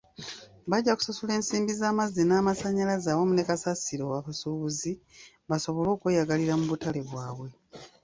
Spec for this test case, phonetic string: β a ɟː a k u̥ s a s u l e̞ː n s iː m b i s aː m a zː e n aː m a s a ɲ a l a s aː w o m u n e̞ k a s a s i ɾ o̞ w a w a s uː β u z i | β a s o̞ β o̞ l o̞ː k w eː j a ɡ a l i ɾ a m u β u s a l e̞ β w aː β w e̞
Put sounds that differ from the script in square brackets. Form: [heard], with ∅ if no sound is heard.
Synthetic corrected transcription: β a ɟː a k u̥ s a s u l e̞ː n s iː m b i [z] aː m a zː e n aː m a s a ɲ a l a [z] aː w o m u n e̞ k a s a s i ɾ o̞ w a [β] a s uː β u z i | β a s o̞ β o̞ l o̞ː k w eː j a ɡ a l i ɾ a m u β u [t] a l e̞ β w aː β w e̞